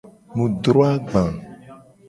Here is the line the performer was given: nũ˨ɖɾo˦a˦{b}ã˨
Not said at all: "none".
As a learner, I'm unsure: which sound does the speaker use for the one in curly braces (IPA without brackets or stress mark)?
ɡ͡b